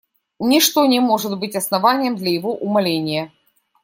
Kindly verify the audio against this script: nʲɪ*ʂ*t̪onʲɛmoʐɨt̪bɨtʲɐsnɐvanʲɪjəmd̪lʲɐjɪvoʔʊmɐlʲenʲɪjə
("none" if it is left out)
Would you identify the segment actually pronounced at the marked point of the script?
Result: ʂ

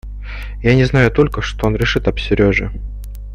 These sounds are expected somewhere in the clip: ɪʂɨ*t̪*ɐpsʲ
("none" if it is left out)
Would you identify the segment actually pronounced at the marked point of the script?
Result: t̪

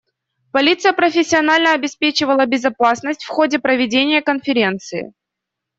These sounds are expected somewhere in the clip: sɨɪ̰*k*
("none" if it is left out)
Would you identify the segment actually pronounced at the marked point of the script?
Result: none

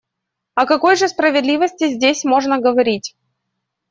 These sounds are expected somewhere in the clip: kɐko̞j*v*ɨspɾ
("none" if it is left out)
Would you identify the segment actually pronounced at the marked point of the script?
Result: ʐ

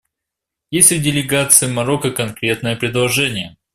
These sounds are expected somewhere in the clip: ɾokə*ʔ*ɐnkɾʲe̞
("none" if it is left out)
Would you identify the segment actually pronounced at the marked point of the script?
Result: k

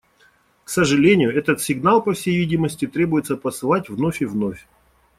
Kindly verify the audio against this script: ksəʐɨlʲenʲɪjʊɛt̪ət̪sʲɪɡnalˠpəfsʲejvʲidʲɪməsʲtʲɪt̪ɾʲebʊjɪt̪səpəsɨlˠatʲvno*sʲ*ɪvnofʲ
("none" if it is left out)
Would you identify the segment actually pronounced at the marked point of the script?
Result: fʲ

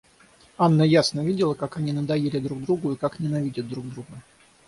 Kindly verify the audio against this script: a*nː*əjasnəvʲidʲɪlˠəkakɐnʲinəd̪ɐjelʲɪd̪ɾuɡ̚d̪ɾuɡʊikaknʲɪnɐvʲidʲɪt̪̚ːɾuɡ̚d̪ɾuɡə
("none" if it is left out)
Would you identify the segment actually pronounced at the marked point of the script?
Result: nː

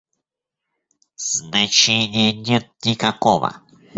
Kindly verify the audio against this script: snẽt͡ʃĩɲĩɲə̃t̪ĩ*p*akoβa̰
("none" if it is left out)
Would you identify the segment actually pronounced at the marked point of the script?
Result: k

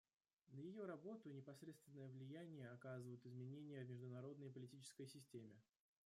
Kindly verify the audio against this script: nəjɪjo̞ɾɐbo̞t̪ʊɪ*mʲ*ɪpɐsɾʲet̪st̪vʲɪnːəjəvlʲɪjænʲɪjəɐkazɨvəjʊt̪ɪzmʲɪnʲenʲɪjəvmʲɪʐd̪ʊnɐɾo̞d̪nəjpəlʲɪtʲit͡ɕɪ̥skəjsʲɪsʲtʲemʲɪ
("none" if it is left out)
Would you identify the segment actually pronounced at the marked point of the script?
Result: nʲ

